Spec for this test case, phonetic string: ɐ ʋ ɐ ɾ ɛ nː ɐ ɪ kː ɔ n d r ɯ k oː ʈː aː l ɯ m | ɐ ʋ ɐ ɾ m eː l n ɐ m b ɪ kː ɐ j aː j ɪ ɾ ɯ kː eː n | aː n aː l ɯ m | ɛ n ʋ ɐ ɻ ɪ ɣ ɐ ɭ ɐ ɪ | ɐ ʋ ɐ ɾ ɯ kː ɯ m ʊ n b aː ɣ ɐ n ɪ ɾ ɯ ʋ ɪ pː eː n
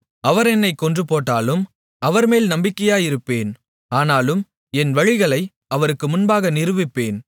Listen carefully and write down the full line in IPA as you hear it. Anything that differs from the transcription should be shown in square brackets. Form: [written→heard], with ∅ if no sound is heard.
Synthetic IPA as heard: ɐ ʋ ɐ ɾ ɛ nː ɐ ɪ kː ɔ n d r ɯ [k→p] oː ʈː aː l ɯ m | ɐ ʋ ɐ ɾ m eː l n ɐ m b ɪ kː ɐ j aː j ɪ ɾ ɯ [kː→pː] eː n | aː n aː l ɯ m | ɛ n ʋ ɐ ɻ ɪ ɣ ɐ ɭ ɐ ɪ | ɐ ʋ ɐ ɾ ɯ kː ɯ m ʊ n b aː ɣ ɐ n ɪ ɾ ɯ ʋ ɪ pː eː n

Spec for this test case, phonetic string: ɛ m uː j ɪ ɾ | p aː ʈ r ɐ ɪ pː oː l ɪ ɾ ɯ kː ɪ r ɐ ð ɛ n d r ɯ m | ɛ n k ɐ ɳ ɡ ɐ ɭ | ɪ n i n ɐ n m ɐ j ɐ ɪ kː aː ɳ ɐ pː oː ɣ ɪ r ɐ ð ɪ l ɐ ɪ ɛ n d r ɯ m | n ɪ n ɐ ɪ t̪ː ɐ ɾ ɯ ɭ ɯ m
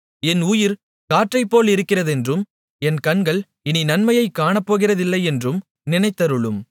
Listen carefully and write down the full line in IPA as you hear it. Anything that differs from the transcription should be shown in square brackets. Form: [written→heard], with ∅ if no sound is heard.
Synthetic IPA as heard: ɛ [m→n] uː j ɪ ɾ | [p→k] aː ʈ r ɐ ɪ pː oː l ɪ ɾ ɯ kː ɪ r ɐ ð ɛ n d r ɯ m | ɛ n k ɐ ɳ ɡ ɐ ɭ | ɪ n i n ɐ n m ɐ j ɐ ɪ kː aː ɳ ɐ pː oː ɣ ɪ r ɐ ð ɪ [l→lː] ɐ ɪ ɛ n d r ɯ m | n ɪ n ɐ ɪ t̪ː ɐ ɾ ɯ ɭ ɯ m

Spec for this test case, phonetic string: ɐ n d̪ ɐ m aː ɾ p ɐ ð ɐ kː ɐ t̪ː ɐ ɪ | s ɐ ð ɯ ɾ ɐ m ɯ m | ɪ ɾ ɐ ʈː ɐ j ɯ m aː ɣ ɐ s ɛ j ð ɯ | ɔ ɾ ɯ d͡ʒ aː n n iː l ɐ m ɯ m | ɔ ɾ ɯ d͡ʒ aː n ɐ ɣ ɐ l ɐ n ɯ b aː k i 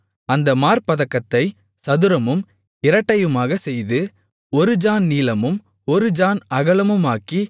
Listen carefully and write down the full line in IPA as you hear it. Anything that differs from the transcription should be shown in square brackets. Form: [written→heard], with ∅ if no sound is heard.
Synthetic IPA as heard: ɐ n d̪ ɐ m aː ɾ p ɐ ð ɐ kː ɐ t̪ː ɐ ɪ | s ɐ ð ɯ ɾ ɐ m ɯ m | ɪ ɾ ɐ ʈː ɐ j ɯ m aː ɣ ɐ s ɛ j ð ɯ | ɔ ɾ ɯ d͡ʒ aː n n iː l ɐ m ɯ m | ɔ ɾ ɯ d͡ʒ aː n ɐ ɣ ɐ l ɐ [n→m] ɯ [b→m] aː k i

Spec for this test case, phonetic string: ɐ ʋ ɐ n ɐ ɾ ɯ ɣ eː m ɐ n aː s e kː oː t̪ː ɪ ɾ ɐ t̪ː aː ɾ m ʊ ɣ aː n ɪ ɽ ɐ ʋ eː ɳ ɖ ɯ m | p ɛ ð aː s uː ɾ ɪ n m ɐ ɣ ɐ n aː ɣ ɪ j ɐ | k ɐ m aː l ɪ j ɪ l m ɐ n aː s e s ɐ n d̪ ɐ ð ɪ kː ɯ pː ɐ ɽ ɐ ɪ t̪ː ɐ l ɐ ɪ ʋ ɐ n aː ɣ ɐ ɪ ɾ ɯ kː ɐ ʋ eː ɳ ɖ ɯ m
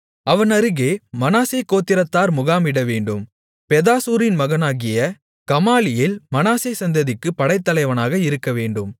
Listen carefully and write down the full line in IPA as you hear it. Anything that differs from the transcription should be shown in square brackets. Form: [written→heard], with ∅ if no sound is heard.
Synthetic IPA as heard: ɐ ʋ ɐ n ɐ ɾ ɯ ɣ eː m ɐ n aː s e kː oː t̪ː ɪ ɾ ɐ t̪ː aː ɾ m ʊ ɣ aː [n→m] ɪ ɽ ɐ ʋ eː ɳ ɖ ɯ m | p ɛ ð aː s uː ɾ ɪ n m ɐ ɣ ɐ n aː ɣ ɪ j ɐ | k ɐ m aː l ɪ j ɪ l m ɐ n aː s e s ɐ n d̪ ɐ ð ɪ kː ɯ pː ɐ ɽ ɐ ɪ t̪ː ɐ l ɐ ɪ ʋ ɐ n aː ɣ ɐ ɪ ɾ ɯ kː ɐ ʋ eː ɳ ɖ ɯ m

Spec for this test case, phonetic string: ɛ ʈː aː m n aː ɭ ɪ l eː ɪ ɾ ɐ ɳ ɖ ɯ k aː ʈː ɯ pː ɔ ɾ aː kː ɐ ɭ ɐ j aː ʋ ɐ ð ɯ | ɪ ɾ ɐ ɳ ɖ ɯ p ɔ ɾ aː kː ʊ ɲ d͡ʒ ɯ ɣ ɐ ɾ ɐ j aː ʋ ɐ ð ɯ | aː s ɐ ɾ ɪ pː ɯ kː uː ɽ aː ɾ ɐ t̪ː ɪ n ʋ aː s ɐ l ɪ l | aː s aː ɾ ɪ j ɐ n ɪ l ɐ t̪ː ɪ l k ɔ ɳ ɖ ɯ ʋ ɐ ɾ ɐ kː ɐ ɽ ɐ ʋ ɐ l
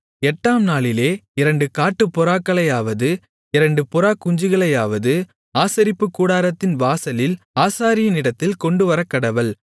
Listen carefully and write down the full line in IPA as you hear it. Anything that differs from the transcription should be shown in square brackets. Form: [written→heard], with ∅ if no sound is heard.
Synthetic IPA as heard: ɛ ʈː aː m n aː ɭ ɪ l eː ɪ ɾ ɐ ɳ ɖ ɯ k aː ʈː ɯ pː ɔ ɾ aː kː ɐ ɭ ɐ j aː ʋ ɐ ð ɯ | ɪ ɾ ɐ ɳ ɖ ɯ p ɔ ɾ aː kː ʊ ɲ d͡ʒ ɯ ɣ ɐ [ɾ→ɭ] ɐ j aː ʋ ɐ ð ɯ | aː s ɐ ɾ ɪ pː ɯ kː uː ɽ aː ɾ ɐ t̪ː ɪ n ʋ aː s ɐ l ɪ l | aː s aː ɾ ɪ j ɐ n ɪ [l→ɽ] ɐ t̪ː ɪ l k ɔ ɳ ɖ ɯ ʋ ɐ ɾ ɐ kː ɐ ɽ ɐ ʋ ɐ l

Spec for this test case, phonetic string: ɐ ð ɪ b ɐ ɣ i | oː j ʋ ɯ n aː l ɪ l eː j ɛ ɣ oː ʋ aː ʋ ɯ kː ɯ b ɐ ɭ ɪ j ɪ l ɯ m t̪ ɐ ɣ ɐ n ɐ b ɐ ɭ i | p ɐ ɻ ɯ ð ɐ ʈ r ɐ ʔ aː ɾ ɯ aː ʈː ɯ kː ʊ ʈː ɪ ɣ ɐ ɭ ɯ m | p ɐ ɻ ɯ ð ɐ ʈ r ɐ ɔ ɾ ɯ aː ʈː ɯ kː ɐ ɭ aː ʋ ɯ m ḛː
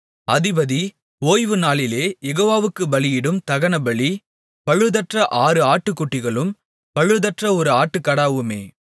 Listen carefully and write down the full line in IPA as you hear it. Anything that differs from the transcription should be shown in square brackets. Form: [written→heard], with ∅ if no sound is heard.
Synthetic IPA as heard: ɐ ð ɪ b ɐ [ɣ→ð] i | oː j ʋ ɯ n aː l ɪ l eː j ɛ ɣ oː ʋ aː ʋ ɯ kː ɯ b ɐ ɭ ɪ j ɪ [l→ɽ] ɯ m t̪ ɐ ɣ ɐ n ɐ b ɐ ɭ i | p ɐ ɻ ɯ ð ɐ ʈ r ɐ ʔ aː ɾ ɯ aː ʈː ɯ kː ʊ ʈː ɪ ɣ ɐ ɭ ɯ m | p ɐ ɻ ɯ ð ɐ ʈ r ɐ ɔ ɾ ɯ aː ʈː ɯ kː ɐ [ɭ→ɽ] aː ʋ ɯ m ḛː

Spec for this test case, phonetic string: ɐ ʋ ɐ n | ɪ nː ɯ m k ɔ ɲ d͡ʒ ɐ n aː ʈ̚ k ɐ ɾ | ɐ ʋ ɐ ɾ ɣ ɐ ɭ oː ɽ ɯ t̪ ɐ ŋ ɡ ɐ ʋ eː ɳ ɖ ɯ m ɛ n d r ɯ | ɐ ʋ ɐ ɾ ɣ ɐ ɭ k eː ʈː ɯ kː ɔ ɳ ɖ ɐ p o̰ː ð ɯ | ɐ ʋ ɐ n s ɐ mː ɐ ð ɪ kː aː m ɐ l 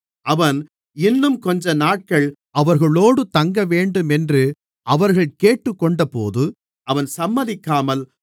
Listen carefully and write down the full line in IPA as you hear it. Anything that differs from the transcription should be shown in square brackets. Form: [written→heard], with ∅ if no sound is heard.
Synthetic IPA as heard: ɐ ʋ ɐ n | ɪ nː ɯ m k ɔ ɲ d͡ʒ ɐ n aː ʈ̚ k ɐ [ɾ→ɭ] | ɐ ʋ ɐ ɾ ɣ ɐ ɭ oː ɽ ɯ t̪ ɐ ŋ ɡ ɐ ʋ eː ɳ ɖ ɯ m ɛ n d r ɯ | ɐ ʋ ɐ ɾ ɣ ɐ ɭ k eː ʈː ɯ kː ɔ ɳ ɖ ɐ p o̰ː ð ɯ | ɐ ʋ ɐ n s ɐ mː ɐ ð ɪ kː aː m ɐ l

